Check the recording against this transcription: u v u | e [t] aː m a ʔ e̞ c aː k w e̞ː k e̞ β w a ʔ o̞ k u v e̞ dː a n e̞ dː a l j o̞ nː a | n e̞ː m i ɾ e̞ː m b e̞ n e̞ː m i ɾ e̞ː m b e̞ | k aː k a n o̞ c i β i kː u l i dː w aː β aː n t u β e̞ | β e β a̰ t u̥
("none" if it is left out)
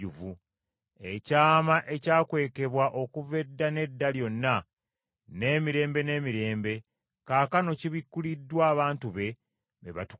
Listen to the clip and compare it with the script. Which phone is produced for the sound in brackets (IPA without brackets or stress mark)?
c